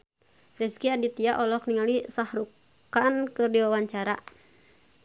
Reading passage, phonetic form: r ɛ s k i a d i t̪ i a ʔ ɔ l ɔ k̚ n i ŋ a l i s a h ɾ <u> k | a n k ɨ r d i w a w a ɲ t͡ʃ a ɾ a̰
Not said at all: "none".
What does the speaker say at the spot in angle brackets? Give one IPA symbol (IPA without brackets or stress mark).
u